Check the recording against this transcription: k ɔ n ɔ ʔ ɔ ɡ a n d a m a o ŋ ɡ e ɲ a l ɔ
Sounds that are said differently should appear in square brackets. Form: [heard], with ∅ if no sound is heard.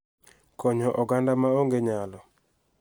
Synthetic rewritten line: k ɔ [ɲ] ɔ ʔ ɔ ɡ a n d a m a o ŋ ɡ e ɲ a l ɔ